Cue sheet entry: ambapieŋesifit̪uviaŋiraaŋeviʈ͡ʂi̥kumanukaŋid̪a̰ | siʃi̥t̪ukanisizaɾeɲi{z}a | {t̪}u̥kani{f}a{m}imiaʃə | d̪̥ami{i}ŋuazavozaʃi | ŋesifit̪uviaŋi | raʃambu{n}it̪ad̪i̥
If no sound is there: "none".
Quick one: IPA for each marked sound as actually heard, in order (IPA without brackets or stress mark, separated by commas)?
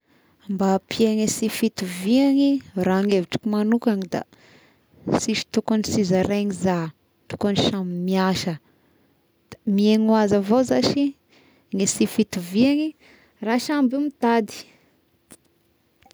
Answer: z, t̪, ʃ, m, e, m